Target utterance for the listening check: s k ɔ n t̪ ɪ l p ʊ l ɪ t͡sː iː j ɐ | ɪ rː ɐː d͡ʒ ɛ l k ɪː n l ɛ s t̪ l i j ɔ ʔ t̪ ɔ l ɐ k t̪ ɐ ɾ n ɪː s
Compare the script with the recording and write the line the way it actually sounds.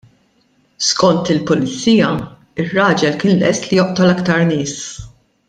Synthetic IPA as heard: s k ɔ n t̪ ɪ l p ʊ l ɪ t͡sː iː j ɐ | ɪ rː ɐː d͡ʒ ɛ l k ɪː n l ɛ s t̪ l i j ɔ ʔ t̪ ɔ l ɐ k t̪ ɐ ɾ n ɪː s